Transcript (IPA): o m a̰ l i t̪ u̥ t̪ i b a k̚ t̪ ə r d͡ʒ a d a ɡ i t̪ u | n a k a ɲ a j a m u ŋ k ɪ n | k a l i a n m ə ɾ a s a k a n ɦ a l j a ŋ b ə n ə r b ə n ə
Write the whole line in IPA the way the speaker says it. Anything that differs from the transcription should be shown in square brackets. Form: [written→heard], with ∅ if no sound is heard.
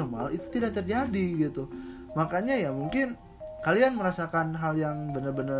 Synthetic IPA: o m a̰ l i t̪ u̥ t̪ i [b→d] a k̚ t̪ ə r d͡ʒ a d [a→i] ɡ i t̪ u | [n→m] a k a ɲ a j a m u ŋ k ɪ n | k a l i a n m ə ɾ a s a k a n ɦ a l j a ŋ b ə n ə r b ə n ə